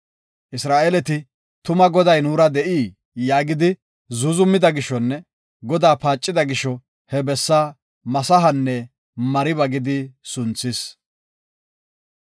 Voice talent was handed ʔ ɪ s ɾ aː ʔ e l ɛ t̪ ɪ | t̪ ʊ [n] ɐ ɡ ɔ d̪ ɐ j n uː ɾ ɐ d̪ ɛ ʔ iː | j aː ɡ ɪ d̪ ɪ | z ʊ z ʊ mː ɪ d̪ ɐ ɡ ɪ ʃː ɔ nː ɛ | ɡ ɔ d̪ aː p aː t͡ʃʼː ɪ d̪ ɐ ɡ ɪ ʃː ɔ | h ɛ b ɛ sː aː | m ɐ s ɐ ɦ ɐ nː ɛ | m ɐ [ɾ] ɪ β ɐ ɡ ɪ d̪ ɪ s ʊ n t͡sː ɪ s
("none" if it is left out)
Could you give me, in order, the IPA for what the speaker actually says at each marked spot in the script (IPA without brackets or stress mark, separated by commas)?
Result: m, ɾ